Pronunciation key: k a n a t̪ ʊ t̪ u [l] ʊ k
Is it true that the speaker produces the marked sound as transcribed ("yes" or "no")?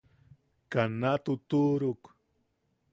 no